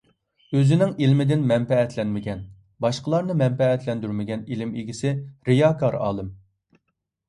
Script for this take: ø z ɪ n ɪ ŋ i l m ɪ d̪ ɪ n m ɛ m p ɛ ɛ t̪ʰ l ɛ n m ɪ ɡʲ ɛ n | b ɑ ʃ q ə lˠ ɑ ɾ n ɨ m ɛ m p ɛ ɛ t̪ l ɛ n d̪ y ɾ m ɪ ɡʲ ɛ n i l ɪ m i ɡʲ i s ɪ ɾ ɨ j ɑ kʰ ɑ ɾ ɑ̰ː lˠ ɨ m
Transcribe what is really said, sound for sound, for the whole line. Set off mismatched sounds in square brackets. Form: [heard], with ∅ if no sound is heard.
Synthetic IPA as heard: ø z ɪ n ɪ ŋ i l m ɪ d̪ ɪ n m ɛ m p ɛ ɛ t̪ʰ l ɛ n m ɪ ɡʲ ɛ n | b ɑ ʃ q ə lˠ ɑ ɾ n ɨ m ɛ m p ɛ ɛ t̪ l ɛ n d̪ y ɾ m ɪ ɡʲ ɛ n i l ɪ m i ɡʲ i s ɪ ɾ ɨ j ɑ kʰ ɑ ɾ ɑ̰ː lˠ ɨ m